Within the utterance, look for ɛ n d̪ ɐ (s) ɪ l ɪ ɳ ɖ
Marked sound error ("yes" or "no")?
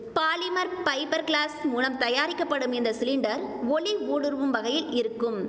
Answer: no